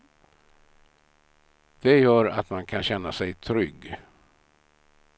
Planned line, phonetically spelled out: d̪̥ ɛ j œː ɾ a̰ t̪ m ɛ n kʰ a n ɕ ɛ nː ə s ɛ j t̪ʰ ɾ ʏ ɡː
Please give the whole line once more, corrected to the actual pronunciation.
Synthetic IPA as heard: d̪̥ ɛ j œː ɾ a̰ t̪ m a n kʰ a n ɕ ɛ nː a s ɛ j t̪ʰ ɾ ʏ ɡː